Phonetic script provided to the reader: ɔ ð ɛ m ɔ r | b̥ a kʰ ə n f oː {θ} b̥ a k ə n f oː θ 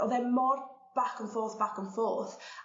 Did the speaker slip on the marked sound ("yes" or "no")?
no